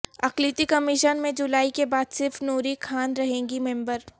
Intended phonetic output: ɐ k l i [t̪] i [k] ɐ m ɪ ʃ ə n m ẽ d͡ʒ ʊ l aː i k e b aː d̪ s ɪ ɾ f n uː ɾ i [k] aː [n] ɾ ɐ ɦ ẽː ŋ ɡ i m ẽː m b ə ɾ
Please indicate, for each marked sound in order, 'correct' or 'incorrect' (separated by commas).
correct, correct, incorrect, correct